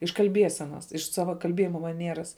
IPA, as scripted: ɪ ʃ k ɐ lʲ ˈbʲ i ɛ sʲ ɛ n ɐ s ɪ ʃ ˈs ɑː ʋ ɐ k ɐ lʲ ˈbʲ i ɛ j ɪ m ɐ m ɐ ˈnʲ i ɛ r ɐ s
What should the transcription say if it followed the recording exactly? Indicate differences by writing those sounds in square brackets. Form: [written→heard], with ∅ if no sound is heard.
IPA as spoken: ɪ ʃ k ɐ lʲ ˈbʲ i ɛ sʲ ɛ n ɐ s ɪ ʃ ˈs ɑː ʋ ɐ k ɐ lʲ ˈbʲ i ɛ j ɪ m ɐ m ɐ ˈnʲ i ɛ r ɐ s